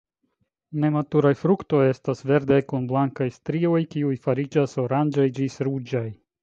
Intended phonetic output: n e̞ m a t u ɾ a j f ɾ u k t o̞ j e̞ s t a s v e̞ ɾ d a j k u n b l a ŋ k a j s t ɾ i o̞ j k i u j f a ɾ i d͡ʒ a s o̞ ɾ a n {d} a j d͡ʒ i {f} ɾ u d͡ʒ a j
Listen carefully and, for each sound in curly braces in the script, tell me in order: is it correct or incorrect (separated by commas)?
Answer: incorrect, incorrect